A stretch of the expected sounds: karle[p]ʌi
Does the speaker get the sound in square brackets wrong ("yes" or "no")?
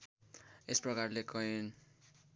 yes